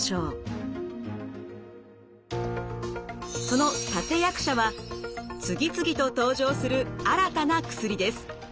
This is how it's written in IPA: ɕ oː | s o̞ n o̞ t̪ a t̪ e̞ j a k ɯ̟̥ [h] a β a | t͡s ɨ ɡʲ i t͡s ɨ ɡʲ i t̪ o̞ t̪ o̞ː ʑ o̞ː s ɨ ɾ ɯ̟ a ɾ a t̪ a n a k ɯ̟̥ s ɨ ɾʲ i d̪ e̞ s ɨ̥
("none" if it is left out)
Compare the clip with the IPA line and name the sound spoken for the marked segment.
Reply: ɕ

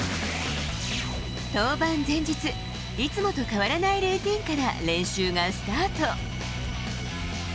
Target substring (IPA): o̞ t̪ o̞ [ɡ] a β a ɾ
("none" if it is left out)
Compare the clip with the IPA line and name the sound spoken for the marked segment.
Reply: k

